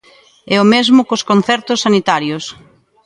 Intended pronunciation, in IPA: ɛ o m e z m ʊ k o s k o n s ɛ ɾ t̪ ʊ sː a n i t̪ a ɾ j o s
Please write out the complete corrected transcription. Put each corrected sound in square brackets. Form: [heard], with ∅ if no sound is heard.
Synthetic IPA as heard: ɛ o m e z m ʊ k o s k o n [θ] ɛ ɾ t̪ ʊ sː a n i t̪ a ɾ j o s